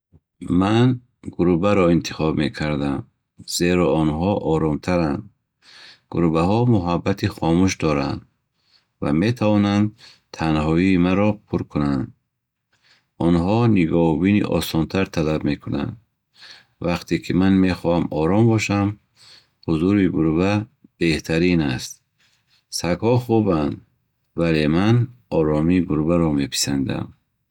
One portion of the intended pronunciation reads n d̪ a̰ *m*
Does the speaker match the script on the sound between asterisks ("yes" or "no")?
yes